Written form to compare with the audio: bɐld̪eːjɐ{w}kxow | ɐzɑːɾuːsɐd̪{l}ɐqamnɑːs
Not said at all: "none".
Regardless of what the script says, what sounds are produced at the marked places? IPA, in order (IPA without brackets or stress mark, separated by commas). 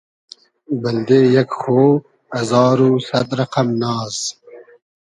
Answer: none, ɾ